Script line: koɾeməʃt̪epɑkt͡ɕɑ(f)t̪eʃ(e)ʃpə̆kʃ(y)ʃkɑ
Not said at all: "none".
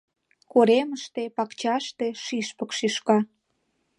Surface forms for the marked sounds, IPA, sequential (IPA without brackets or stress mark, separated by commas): ʃ, i, i